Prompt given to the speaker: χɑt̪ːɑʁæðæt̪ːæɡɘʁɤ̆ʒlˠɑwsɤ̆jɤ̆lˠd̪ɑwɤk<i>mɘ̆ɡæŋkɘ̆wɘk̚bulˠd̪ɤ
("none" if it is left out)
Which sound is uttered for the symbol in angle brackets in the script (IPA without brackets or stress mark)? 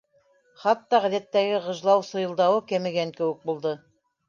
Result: æ